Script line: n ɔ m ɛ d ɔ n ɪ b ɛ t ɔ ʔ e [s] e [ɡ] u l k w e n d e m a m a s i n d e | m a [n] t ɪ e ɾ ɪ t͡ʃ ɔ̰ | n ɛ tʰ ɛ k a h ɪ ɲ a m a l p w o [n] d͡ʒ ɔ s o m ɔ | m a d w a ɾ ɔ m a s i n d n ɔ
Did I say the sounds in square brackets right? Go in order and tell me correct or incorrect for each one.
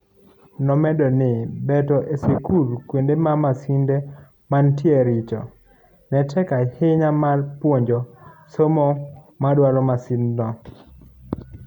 correct, incorrect, correct, incorrect

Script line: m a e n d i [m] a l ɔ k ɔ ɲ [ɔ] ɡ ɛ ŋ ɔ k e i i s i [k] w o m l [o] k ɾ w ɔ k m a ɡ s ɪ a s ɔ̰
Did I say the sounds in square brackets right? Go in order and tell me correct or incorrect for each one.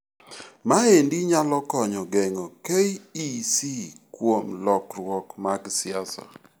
incorrect, correct, correct, incorrect

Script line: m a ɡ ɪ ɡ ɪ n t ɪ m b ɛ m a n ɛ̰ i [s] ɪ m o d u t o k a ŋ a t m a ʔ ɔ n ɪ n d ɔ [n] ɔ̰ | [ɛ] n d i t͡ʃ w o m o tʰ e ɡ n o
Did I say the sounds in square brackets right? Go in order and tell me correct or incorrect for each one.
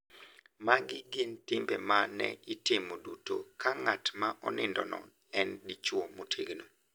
incorrect, correct, correct

